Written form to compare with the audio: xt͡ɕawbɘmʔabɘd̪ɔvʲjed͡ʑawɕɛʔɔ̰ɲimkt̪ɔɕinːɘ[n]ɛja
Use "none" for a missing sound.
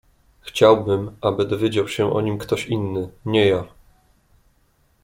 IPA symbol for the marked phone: ɲ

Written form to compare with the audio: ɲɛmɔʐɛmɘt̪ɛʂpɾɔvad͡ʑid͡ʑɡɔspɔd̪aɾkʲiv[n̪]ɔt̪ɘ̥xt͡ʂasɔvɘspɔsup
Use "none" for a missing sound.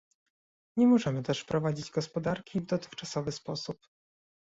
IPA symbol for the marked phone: d̪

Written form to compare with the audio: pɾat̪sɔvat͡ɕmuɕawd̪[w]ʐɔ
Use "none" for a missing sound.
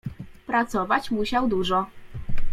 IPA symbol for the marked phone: u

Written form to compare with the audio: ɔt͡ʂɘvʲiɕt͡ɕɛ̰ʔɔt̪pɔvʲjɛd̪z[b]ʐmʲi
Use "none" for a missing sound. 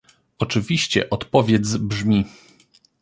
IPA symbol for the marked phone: b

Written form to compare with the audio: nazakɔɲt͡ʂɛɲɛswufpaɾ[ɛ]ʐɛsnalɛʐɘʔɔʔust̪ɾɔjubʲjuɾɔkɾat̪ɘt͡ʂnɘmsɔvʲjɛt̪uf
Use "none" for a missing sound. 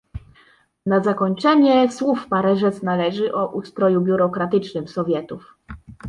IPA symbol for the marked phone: ɛ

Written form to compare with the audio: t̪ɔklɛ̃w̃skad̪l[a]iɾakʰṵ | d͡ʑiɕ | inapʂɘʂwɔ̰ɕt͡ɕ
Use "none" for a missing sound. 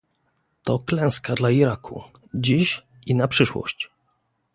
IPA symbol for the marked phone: a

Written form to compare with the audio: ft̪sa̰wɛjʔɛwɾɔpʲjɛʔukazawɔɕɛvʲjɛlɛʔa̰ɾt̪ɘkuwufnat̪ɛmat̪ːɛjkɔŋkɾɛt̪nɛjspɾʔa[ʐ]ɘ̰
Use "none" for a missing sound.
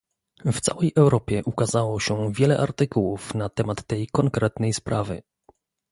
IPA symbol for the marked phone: v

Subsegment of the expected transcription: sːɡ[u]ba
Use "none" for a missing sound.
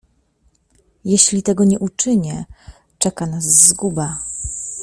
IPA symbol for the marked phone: u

